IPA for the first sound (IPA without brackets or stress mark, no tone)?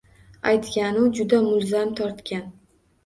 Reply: a